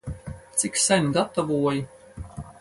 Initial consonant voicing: voiceless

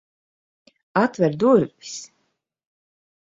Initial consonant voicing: voiceless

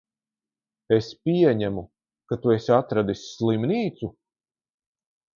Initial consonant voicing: voiceless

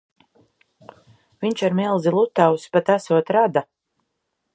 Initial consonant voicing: voiced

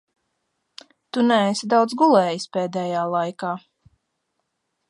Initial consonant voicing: voiceless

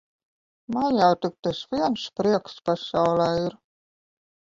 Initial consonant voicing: voiced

